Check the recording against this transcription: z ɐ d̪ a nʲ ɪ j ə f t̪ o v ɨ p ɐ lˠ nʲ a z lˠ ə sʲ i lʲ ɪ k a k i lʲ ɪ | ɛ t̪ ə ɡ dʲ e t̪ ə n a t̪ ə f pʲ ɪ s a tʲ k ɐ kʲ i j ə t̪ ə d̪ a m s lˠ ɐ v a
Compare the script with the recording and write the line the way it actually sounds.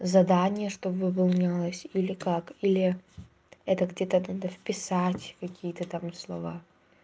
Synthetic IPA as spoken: z ɐ d̪ a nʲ ɪ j ə ʂ t̪ o v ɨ p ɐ lˠ nʲ a lˠ ə sʲ i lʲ ɪ k a k i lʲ ɪ | ɛ t̪ ə ɡ dʲ e t̪ ə n a d̪ ə f pʲ ɪ s a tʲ k ɐ kʲ i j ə t̪ ə t̪ a m s lˠ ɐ v a